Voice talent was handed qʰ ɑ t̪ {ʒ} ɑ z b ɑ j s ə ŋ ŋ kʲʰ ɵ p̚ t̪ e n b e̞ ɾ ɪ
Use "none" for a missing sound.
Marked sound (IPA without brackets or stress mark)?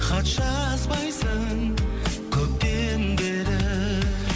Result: ʃ